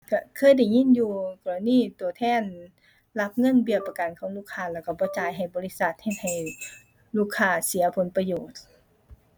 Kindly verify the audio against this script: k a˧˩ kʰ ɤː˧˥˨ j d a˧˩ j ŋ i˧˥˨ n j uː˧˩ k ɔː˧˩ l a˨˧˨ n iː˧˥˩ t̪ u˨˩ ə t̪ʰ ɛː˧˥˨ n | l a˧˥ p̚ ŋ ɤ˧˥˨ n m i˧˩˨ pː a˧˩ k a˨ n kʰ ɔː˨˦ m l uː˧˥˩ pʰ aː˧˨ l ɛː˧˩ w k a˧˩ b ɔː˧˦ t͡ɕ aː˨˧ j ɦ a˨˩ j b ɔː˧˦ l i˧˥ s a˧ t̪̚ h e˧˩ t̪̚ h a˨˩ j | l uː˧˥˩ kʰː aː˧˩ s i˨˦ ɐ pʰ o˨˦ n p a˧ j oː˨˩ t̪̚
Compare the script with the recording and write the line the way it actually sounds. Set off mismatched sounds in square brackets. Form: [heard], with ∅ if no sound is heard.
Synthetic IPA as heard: k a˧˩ kʰ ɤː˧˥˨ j d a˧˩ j ŋ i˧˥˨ n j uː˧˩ k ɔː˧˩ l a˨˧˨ n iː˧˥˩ t̪ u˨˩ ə t̪ʰ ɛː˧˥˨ n | l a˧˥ p̚ ŋ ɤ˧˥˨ n [b] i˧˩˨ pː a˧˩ k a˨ n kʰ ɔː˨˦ [ŋ] l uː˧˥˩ [kʰ] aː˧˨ l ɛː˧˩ w k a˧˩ b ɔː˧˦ t͡ɕ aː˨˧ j ɦ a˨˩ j b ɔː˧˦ l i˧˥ s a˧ t̪̚ h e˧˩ t̪̚ h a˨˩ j | l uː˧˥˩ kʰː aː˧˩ s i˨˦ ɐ pʰ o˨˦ n p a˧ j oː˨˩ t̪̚